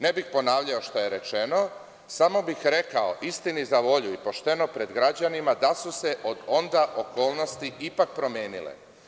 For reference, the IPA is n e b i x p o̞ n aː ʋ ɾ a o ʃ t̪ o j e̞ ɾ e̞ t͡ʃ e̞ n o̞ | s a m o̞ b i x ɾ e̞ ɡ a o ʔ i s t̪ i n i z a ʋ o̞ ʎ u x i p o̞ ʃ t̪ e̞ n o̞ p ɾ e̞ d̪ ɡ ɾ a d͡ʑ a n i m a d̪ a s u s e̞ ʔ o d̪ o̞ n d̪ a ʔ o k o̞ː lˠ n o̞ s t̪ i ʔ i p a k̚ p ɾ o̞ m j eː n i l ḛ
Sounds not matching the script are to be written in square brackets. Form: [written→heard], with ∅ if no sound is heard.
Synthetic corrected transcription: n e b i x p o̞ n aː ʋ [ɾ→ʎ] a o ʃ t̪ o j e̞ ɾ e̞ t͡ʃ e̞ n o̞ | s a m o̞ b i x ɾ e̞ [ɡ→k] a o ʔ i s t̪ i n i z a ʋ o̞ ʎ u [x→∅] i p o̞ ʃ t̪ e̞ n o̞ p ɾ e̞ d̪ ɡ ɾ a d͡ʑ a n i m a d̪ a s u s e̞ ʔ o d̪ o̞ n d̪ a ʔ o k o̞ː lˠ n o̞ s t̪ i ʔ i p a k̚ p ɾ o̞ m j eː n i l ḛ